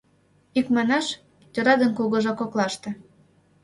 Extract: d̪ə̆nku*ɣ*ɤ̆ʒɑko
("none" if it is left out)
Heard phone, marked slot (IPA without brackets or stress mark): ɣ